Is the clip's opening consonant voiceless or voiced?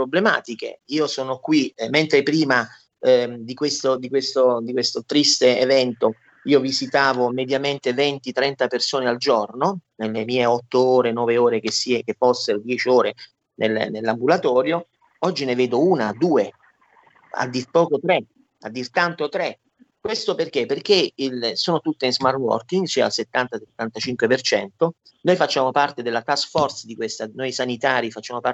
voiceless